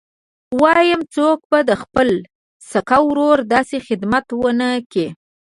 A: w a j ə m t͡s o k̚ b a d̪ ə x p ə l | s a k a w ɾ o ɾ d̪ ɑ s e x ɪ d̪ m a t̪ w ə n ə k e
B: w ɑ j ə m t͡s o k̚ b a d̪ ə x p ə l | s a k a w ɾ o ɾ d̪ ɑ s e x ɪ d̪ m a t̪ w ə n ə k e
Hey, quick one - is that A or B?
B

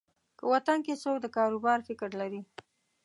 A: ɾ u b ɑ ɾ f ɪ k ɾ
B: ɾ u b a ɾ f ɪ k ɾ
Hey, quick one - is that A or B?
A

